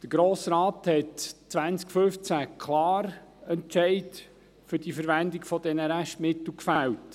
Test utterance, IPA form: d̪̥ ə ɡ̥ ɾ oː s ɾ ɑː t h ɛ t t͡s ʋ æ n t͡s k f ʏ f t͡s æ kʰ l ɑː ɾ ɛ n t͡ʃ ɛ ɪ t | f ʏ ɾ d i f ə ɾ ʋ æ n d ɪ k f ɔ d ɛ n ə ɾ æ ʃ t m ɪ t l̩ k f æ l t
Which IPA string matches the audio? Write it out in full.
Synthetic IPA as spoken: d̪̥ ə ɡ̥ ɾ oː s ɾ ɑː t h ɛ t t͡s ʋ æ n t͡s k f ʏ f t͡s æ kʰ l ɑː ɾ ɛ n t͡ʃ ɛ ɪ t | f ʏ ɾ d i f ə ɾ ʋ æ n d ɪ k f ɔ d ɛ n ə ɾ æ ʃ t m ɪ t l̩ k f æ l t